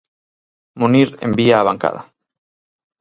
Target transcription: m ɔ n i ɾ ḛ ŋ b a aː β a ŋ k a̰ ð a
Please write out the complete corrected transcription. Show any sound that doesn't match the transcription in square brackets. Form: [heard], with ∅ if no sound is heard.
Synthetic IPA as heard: m [u] n i ɾ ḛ [m] b [i] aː β a ŋ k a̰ ð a